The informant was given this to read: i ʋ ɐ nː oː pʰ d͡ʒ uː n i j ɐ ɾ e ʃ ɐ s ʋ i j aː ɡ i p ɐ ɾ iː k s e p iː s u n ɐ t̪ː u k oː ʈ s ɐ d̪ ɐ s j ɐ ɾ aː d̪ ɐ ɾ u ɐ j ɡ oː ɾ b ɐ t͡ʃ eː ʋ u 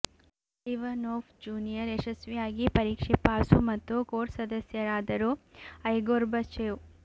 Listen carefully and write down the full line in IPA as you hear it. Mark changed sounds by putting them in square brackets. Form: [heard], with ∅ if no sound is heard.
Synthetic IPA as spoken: i ʋ ɐ [n] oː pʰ d͡ʒ uː n i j ɐ ɾ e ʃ ɐ s ʋ i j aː ɡ i p ɐ ɾ iː k [ʂ] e p [aː] s u [m] ɐ t̪ː u k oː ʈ s ɐ d̪ ɐ s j ɐ ɾ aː d̪ ɐ ɾ u ɐ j ɡ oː ɾ b ɐ t͡ʃ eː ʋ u